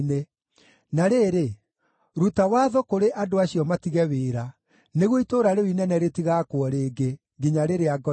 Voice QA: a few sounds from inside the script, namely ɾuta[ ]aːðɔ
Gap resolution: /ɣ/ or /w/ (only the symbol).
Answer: w